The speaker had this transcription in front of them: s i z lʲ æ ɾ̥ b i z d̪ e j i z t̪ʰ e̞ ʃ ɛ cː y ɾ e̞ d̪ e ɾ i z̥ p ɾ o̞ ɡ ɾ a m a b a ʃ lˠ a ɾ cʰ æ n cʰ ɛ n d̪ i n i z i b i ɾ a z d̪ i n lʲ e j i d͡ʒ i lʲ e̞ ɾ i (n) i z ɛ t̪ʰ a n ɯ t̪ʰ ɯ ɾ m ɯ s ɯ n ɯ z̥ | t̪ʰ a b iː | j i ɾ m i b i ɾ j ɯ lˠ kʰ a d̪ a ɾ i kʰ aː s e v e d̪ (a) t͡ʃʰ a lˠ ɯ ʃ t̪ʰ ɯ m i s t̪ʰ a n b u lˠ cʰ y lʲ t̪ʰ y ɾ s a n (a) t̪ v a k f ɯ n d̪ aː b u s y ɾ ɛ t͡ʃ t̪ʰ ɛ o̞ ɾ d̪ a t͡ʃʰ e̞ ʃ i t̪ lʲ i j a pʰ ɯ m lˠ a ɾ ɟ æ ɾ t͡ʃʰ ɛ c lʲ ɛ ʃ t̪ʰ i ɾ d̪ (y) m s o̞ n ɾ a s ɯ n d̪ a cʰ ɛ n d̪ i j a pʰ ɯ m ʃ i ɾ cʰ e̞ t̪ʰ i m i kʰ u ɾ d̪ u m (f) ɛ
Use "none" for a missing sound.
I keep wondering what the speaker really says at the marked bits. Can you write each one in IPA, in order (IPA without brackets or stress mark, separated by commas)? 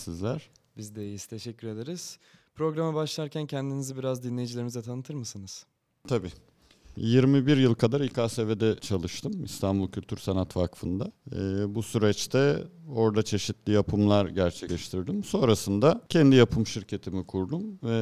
m, ɛ, a, i, v